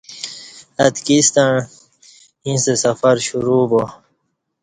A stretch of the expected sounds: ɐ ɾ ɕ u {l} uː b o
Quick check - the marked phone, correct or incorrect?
incorrect